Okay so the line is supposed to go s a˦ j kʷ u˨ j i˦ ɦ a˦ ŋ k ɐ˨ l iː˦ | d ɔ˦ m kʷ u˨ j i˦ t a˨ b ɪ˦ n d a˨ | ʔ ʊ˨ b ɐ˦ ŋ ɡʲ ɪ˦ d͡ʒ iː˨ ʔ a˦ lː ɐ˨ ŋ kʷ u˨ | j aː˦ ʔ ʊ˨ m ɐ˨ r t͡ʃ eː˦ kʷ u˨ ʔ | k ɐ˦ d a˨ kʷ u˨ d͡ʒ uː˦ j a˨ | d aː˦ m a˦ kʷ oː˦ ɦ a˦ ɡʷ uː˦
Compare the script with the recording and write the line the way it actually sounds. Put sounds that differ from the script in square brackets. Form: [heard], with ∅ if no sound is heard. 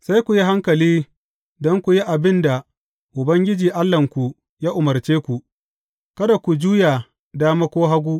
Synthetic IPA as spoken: s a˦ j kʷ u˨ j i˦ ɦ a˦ ŋ k ɐ˨ l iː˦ | d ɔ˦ [ŋ] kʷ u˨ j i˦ [ʔ] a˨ b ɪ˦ n d a˨ | ʔ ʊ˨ b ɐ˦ ŋ ɡʲ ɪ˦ d͡ʒ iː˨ ʔ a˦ lː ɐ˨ ŋ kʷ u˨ | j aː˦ ʔ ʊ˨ m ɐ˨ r t͡ʃ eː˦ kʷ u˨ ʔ | k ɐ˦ d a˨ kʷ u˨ d͡ʒ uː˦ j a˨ | d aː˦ m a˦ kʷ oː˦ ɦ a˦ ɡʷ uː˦